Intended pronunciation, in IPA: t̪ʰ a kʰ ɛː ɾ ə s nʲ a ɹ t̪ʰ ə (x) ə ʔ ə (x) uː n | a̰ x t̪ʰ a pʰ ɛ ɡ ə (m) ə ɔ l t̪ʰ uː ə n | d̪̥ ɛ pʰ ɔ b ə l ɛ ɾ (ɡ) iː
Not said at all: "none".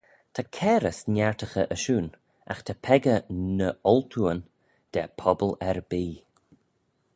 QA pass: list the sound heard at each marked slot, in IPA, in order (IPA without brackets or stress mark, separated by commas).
x, ʃ, n, b